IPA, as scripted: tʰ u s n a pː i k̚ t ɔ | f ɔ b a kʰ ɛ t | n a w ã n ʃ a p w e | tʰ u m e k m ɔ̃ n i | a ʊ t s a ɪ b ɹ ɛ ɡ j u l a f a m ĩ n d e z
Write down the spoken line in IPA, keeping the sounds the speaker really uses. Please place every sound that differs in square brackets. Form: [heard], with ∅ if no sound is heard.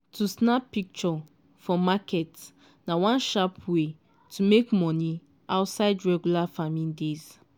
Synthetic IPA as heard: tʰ u s n a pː i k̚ [t͡ʃ] ɔ | f ɔ [m] a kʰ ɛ t | n a w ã n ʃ a p w e | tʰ u m e k m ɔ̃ n i | a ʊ t s a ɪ [d] ɹ ɛ ɡ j u l a f a m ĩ n d e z